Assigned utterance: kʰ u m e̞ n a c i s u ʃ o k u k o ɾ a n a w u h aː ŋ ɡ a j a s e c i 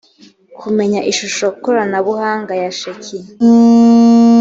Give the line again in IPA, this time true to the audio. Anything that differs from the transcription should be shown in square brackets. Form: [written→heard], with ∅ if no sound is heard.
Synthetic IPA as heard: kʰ u m e̞ [n→ɲ] a [c→ʔ] i [s→ʃ] u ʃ o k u k o ɾ a n a [w→β] u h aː ŋ ɡ a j a [s→ʃ] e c i